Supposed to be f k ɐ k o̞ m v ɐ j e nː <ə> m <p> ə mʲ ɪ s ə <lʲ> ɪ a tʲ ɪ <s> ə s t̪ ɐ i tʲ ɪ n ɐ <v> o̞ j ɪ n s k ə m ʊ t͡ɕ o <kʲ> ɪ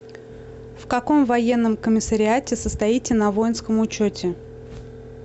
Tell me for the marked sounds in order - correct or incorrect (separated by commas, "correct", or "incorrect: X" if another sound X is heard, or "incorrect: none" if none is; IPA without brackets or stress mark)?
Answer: correct, incorrect: k, incorrect: ɾʲ, correct, correct, incorrect: tʲ